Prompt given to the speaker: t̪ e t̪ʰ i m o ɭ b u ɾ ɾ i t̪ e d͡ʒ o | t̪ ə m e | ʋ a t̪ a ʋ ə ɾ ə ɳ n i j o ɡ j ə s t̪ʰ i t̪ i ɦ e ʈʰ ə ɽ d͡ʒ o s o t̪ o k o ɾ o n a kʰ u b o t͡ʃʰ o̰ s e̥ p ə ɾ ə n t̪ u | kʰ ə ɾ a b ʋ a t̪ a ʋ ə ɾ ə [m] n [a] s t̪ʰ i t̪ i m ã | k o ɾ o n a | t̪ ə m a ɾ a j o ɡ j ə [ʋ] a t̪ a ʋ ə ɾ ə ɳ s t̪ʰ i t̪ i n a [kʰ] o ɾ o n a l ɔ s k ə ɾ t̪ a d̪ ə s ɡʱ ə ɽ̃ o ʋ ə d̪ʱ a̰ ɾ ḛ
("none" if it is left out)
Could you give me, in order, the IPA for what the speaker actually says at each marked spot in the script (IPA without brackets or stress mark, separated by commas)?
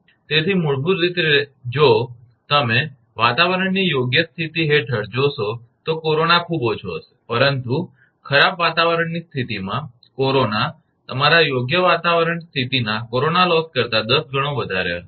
ɳ, i, ʋ, k